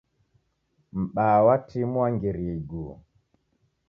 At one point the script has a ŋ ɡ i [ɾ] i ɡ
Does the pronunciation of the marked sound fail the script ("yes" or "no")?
no